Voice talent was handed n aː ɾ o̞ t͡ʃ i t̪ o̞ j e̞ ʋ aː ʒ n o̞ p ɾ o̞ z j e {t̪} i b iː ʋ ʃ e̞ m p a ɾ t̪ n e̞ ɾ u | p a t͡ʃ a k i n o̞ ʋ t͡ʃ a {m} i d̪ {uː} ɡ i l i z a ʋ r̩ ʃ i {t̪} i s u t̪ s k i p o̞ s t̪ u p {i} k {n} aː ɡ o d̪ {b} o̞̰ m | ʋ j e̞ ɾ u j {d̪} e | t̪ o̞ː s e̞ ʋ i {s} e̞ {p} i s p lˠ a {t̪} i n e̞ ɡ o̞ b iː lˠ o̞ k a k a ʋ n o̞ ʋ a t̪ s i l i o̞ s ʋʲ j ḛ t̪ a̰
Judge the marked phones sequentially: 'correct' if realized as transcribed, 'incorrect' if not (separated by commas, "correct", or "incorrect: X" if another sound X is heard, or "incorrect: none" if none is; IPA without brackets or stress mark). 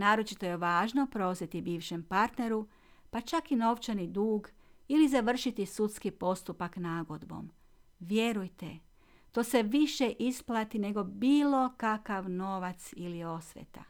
correct, incorrect: n, correct, correct, incorrect: a, correct, correct, incorrect: t̪, incorrect: ʃ, incorrect: ʔ, correct